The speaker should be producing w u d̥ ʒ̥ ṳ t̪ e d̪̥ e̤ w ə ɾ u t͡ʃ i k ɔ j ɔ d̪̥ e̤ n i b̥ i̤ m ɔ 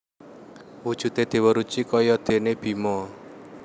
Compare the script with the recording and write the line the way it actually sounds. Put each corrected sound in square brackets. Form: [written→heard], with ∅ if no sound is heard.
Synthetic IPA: w u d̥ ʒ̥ ṳ t̪ e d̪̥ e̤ w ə ɾ u t͡ʃ i k ɔ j ɔ d̪̥ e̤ n [i→e] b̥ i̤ m ɔ